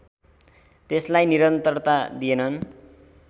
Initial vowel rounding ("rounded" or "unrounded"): unrounded